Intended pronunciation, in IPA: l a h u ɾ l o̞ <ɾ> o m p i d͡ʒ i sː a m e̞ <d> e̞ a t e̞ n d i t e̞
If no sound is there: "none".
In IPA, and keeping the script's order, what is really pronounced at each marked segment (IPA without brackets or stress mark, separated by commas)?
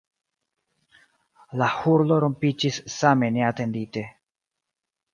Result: ɾ, n